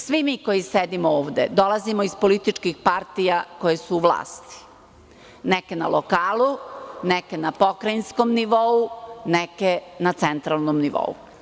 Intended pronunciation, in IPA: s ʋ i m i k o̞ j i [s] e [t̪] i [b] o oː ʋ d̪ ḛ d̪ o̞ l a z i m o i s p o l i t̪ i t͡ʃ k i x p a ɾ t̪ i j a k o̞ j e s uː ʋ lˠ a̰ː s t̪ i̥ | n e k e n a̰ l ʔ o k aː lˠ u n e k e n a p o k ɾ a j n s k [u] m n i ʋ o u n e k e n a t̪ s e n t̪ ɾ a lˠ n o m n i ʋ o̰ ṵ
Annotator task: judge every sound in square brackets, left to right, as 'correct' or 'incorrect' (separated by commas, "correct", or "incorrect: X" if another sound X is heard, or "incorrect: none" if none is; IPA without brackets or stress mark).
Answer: correct, incorrect: d̪, incorrect: m, incorrect: o